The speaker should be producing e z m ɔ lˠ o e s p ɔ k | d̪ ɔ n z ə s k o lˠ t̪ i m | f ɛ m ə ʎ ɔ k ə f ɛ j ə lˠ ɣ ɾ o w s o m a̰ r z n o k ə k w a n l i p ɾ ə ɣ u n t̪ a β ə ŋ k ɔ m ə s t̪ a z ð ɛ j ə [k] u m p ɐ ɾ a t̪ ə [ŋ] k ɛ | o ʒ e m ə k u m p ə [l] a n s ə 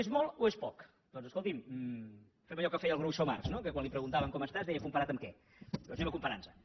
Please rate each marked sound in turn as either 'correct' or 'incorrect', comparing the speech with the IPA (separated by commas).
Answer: correct, incorrect, incorrect